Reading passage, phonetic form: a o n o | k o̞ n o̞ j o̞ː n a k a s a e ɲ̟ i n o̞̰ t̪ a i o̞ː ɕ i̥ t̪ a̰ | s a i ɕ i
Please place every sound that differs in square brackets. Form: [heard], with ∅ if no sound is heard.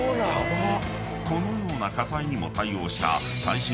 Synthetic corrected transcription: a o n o | k o̞ n o̞ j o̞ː n a k a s a [i] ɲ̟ i [m] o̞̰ t̪ a i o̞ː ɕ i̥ t̪ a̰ | s a i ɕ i